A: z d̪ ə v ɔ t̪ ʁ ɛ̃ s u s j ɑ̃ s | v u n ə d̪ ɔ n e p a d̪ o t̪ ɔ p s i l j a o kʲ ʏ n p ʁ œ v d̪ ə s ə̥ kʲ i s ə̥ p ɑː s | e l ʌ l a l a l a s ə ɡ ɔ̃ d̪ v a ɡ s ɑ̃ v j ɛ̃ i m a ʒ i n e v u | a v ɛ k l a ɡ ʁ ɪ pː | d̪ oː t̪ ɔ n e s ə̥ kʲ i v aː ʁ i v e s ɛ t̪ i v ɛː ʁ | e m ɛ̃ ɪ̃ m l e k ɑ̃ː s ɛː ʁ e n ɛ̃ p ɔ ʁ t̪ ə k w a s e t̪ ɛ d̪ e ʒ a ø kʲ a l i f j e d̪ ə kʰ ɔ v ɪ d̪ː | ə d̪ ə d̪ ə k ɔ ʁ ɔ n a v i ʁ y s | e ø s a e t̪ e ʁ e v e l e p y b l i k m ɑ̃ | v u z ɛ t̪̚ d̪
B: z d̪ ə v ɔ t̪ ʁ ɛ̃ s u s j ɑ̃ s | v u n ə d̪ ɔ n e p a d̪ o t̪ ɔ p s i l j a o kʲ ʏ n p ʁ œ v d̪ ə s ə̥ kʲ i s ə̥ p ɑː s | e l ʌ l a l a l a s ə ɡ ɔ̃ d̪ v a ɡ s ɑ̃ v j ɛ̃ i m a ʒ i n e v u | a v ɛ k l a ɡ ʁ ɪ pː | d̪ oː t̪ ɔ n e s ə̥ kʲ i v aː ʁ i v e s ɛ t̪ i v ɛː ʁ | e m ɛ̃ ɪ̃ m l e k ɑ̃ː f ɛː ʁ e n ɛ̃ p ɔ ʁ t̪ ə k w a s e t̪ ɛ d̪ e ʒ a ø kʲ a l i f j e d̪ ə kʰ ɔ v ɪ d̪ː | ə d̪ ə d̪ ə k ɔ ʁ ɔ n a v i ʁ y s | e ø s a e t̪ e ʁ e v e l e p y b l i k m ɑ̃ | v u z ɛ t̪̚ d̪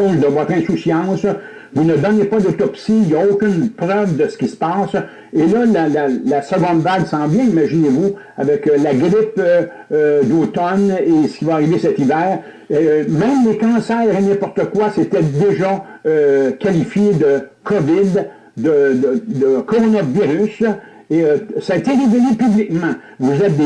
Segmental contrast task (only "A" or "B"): A